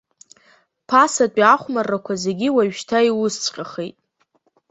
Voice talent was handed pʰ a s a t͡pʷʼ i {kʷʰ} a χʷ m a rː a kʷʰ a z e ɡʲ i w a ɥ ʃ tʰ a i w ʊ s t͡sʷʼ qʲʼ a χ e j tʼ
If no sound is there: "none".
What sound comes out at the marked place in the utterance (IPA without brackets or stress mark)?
none